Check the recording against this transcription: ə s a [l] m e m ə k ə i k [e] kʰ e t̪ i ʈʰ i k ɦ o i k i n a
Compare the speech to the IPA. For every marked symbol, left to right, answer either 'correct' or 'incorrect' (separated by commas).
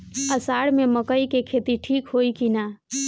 incorrect, correct